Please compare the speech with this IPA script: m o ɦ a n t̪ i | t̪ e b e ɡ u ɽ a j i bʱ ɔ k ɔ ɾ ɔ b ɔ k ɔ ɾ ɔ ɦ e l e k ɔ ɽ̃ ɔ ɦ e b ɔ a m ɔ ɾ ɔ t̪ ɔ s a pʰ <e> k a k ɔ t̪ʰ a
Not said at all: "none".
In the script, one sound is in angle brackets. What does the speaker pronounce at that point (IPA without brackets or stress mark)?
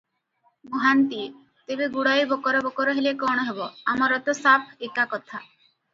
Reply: e